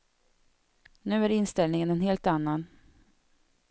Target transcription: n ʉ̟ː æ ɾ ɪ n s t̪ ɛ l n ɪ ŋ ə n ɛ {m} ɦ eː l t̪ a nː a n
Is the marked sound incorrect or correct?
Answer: incorrect